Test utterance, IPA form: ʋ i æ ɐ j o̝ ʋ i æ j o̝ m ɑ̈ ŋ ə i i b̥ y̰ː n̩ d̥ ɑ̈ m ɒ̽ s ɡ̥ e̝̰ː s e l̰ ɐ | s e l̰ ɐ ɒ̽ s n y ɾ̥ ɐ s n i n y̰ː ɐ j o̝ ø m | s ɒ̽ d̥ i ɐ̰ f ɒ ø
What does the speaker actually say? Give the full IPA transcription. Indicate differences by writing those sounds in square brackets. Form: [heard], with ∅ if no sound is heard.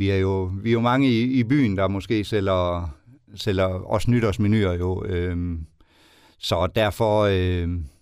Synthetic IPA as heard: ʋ i æ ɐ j o̝ ʋ i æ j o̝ m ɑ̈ ŋ ə i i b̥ y̰ː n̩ d̥ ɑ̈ m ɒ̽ s ɡ̥ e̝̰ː s e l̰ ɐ | s e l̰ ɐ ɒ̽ s n y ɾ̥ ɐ s [m] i n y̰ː ɐ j o̝ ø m | s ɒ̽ d̥ [æ] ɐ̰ f ɒ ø